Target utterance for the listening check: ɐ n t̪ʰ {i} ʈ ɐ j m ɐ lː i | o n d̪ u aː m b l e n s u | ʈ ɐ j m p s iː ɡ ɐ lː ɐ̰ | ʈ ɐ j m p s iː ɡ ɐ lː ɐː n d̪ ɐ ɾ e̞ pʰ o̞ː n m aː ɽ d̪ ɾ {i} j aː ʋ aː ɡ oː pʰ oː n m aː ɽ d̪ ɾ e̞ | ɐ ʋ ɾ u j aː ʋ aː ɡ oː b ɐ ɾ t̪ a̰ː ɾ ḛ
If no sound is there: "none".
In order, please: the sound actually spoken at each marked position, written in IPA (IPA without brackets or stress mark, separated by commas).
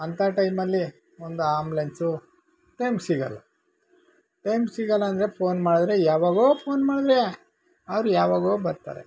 a, e